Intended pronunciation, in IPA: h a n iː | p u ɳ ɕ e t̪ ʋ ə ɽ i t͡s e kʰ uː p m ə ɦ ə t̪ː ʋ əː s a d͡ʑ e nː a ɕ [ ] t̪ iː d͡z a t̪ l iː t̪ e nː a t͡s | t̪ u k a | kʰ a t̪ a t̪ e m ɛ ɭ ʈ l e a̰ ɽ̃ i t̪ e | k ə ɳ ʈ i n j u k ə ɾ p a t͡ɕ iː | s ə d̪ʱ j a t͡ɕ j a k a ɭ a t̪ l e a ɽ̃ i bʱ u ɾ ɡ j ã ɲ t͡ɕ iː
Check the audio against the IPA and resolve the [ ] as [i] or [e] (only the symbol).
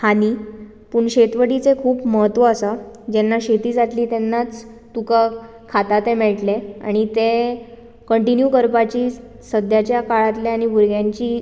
e